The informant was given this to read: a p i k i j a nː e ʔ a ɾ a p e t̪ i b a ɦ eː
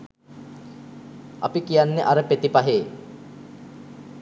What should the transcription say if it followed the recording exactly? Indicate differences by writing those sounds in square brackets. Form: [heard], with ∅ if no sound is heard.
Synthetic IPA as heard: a p i k i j a nː e ʔ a ɾ [ə] p e t̪ i [p] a ɦ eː

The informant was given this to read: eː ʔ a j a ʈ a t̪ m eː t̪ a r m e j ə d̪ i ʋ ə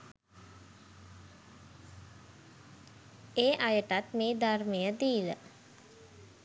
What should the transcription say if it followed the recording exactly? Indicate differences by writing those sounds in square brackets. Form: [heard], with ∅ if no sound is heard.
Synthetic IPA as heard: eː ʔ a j [ə] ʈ a t̪ m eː [d̪] a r m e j ə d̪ [iː] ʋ ə

